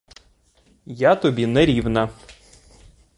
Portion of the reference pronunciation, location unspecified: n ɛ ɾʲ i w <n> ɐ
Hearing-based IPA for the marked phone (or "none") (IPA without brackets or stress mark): n